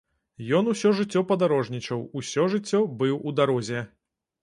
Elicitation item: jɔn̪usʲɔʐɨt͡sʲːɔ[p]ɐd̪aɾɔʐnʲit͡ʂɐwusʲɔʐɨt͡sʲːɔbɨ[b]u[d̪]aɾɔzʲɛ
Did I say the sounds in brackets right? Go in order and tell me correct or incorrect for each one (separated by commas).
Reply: correct, incorrect, correct